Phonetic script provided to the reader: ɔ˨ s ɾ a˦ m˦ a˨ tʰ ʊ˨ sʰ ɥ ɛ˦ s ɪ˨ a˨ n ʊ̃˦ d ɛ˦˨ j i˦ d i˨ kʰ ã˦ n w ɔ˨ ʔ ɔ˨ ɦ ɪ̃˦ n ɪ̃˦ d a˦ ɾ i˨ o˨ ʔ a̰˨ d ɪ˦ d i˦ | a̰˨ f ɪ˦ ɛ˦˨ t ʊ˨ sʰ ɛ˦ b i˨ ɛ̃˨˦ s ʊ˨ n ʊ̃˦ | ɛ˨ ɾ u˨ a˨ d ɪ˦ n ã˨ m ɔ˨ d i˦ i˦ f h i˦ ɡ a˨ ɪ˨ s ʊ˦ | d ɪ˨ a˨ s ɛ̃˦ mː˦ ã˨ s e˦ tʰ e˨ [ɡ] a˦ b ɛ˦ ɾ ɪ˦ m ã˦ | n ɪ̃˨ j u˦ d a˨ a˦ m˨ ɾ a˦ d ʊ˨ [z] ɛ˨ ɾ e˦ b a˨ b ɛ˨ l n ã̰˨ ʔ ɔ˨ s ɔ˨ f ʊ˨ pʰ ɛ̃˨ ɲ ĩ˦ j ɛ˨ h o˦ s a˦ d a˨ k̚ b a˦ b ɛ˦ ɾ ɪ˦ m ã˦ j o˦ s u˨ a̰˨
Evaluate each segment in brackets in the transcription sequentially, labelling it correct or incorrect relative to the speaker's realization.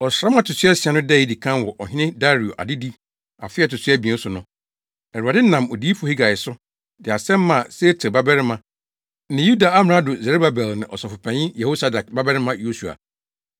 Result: incorrect: b, correct

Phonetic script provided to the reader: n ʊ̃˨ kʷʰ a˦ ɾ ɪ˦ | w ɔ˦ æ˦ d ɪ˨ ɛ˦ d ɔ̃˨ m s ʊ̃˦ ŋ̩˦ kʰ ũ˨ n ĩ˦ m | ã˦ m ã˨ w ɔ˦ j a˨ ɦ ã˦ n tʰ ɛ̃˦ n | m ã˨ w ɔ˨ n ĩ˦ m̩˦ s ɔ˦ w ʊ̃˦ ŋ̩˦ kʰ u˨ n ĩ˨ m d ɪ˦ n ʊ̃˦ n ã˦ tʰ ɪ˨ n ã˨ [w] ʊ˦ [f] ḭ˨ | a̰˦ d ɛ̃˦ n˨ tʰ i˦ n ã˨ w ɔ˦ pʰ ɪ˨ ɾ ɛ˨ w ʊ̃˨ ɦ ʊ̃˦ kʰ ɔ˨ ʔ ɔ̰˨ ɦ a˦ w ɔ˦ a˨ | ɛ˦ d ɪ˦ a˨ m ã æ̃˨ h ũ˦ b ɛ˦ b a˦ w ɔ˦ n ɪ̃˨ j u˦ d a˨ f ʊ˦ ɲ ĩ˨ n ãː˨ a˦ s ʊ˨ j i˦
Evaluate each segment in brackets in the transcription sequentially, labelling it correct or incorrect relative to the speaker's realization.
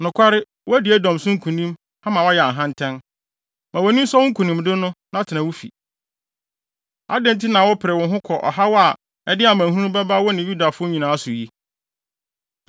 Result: correct, correct

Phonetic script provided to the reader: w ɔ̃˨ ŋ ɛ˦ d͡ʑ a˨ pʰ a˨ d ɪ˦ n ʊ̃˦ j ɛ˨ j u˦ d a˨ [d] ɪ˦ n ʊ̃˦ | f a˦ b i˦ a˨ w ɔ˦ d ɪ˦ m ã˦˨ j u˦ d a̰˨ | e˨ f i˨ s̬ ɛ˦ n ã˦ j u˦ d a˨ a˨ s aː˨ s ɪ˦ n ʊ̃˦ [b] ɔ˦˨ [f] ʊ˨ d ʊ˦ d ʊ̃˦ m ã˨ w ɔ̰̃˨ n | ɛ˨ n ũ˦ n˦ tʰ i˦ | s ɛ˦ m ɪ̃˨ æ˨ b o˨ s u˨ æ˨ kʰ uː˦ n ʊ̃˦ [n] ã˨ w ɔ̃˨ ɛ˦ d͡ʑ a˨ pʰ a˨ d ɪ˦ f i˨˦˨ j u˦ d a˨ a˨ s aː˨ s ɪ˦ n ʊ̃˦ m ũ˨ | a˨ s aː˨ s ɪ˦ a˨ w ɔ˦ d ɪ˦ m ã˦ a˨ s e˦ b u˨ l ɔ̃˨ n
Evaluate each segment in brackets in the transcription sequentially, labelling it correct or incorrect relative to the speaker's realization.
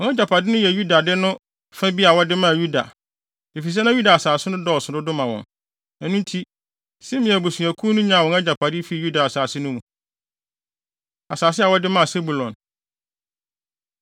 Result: correct, incorrect: d, incorrect: s, incorrect: ɲ

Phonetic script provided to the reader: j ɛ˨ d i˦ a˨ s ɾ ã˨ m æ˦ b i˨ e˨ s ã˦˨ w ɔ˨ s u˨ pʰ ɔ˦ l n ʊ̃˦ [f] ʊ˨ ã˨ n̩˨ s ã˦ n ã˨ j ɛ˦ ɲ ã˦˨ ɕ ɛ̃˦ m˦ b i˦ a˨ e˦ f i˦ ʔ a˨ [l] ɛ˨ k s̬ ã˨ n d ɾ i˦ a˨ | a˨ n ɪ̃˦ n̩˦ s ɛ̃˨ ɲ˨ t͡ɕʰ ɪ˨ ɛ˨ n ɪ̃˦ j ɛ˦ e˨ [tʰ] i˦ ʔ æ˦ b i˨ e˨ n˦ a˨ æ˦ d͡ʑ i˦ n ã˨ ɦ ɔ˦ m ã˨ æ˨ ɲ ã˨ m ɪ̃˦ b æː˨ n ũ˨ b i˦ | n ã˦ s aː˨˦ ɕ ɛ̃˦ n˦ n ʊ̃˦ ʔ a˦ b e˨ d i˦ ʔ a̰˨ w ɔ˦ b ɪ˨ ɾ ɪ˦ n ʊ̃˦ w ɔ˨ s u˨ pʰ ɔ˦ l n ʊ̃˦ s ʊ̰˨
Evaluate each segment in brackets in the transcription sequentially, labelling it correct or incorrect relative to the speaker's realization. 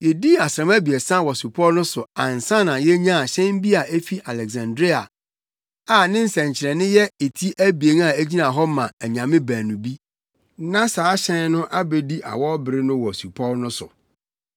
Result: incorrect: s, correct, correct

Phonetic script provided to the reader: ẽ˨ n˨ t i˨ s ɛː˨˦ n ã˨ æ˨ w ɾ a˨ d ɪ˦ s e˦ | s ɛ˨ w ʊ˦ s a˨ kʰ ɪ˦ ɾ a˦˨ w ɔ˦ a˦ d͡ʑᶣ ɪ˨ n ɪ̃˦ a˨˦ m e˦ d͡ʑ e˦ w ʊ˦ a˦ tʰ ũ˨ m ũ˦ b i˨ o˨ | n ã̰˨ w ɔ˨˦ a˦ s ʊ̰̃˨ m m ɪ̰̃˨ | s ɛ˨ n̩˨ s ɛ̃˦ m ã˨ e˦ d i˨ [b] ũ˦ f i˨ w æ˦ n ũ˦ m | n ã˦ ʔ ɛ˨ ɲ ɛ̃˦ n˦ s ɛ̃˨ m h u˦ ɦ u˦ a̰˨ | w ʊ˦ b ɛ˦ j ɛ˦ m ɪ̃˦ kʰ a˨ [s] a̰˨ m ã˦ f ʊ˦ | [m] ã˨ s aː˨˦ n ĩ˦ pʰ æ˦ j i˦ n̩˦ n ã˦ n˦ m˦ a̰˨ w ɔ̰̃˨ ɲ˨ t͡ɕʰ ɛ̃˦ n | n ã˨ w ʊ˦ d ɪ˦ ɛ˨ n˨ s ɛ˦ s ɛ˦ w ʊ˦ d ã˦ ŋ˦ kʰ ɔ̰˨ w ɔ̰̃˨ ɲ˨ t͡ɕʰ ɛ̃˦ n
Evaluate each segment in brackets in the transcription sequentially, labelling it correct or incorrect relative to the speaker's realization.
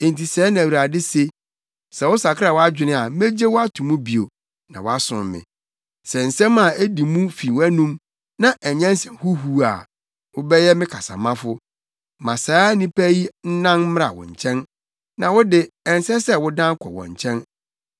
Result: incorrect: m, correct, correct

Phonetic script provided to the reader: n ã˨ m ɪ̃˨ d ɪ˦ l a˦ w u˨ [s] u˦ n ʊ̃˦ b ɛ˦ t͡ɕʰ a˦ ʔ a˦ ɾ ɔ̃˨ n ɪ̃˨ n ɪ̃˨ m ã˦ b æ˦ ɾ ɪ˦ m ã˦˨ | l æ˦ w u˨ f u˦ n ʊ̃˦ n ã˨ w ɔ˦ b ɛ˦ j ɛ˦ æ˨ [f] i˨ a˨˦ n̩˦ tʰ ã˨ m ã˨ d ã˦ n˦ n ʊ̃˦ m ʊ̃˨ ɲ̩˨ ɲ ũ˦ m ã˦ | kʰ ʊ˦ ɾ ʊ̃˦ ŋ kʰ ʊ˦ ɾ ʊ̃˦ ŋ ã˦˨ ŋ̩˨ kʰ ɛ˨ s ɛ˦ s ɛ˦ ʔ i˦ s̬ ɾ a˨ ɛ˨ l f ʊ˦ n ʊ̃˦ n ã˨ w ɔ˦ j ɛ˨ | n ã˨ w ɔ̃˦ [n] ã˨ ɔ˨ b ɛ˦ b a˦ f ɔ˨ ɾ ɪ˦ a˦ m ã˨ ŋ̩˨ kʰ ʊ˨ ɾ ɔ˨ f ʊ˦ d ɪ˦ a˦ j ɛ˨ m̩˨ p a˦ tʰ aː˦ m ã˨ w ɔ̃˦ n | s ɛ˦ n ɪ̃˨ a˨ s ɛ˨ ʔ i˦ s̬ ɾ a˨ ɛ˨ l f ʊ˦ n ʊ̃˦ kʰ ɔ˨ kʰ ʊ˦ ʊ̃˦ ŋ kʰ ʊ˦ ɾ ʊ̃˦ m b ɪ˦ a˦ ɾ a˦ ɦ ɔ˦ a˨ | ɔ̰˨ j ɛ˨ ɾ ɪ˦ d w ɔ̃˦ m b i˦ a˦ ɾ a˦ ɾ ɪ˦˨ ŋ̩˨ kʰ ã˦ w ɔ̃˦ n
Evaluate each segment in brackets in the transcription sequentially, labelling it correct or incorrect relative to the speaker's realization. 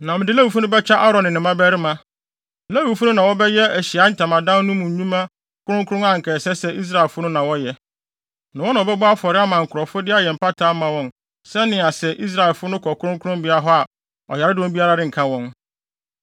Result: incorrect: f, incorrect: ɕ, correct

